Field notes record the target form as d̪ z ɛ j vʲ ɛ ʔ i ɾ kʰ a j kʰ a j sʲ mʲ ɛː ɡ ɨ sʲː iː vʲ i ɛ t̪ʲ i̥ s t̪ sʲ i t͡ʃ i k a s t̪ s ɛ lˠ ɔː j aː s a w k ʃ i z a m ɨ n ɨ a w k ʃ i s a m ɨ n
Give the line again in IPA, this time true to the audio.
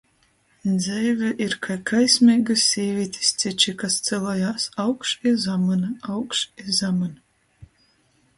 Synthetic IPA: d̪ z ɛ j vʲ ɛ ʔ i ɾ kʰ a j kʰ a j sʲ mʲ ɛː ɡ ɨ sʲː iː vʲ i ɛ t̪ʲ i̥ s t̪ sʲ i t͡ʃ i k a s t̪ s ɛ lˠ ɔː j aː s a w k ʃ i z a m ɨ n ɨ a w k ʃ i z a m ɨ n